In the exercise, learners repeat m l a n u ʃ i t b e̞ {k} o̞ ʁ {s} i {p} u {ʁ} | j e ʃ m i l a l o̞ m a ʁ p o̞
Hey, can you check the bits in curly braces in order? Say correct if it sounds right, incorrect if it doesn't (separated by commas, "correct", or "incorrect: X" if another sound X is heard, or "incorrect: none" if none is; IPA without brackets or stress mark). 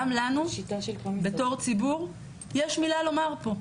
incorrect: t, incorrect: t͡s, incorrect: b, correct